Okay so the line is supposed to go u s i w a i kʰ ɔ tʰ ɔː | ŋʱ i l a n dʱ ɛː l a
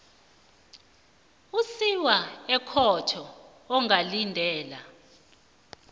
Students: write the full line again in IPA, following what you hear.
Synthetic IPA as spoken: u s i w a ɛ kʰ ɔ tʰ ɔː | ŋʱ a l i n dʱ ɛː l a